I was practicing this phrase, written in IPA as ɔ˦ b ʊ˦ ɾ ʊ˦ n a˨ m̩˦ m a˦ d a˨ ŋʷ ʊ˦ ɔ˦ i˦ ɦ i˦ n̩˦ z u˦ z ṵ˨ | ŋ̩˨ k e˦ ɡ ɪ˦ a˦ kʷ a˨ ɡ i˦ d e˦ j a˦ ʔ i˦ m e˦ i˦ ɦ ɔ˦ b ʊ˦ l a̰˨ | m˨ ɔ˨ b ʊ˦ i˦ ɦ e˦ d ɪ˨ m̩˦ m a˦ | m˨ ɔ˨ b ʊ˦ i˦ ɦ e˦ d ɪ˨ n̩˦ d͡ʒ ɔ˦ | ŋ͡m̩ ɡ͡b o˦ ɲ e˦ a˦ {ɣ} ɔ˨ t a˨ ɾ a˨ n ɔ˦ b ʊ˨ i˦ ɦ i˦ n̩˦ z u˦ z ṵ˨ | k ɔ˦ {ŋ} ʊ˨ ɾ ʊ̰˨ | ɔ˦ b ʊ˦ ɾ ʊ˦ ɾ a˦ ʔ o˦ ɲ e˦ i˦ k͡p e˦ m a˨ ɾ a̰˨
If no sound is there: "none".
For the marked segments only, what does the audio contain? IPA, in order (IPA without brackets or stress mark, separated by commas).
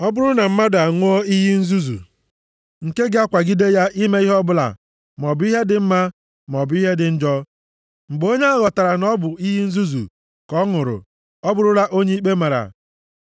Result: ɣ, ŋ